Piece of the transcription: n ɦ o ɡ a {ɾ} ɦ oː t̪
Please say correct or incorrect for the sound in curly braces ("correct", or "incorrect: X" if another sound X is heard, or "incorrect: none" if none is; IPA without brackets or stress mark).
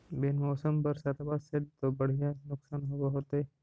incorrect: none